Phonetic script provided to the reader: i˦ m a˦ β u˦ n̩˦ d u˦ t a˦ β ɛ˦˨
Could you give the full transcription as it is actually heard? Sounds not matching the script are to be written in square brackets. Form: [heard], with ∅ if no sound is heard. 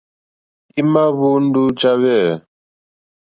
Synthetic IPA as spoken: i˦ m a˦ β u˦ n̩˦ d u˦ [t͡ʃ] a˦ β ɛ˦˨